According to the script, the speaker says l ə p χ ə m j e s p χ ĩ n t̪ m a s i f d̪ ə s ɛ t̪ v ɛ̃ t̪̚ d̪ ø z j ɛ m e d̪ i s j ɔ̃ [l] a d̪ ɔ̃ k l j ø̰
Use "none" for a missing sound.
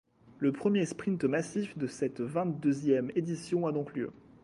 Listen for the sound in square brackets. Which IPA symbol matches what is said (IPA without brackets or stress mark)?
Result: none